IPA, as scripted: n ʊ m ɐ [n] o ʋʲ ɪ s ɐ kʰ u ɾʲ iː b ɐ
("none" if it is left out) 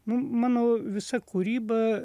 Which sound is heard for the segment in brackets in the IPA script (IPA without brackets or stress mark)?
n